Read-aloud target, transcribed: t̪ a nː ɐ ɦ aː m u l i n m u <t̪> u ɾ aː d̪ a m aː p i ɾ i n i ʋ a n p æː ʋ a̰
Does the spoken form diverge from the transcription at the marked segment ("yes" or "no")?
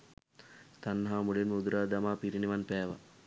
yes